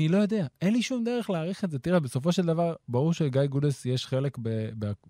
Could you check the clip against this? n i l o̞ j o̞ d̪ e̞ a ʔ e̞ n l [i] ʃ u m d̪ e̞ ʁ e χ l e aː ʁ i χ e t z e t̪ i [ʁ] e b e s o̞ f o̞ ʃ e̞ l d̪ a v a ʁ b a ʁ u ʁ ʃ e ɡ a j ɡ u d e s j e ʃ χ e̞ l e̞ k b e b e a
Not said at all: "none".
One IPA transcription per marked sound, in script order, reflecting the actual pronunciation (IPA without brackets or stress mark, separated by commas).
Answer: i, ʁ